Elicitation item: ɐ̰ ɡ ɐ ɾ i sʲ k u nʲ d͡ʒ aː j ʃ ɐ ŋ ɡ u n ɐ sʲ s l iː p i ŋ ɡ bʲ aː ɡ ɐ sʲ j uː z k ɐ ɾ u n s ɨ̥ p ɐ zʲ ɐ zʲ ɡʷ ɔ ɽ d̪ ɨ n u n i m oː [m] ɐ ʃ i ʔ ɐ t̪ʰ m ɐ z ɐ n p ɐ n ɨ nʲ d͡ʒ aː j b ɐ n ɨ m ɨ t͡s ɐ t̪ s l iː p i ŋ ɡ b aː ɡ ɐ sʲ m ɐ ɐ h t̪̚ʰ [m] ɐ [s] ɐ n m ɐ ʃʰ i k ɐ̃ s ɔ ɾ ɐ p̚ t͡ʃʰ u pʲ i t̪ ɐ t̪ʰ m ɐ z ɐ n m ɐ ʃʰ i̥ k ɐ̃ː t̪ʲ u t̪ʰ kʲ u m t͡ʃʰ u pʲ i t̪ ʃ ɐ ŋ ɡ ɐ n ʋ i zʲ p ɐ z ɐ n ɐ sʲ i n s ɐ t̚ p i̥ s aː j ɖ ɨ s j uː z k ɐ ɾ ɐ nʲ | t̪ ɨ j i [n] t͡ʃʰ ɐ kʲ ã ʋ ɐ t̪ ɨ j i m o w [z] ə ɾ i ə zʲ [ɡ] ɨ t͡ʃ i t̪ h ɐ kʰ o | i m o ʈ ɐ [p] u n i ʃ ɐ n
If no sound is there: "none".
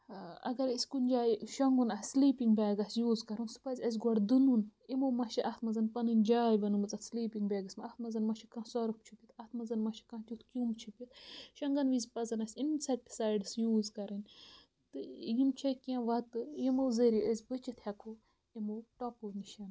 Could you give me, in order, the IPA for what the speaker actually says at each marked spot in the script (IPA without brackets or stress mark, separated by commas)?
m, m, z, m, z, b, p